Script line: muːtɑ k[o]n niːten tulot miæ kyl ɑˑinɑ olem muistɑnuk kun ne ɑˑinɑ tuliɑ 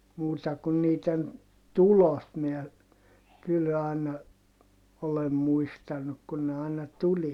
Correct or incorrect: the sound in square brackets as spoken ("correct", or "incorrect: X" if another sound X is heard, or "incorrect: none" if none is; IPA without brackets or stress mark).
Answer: incorrect: u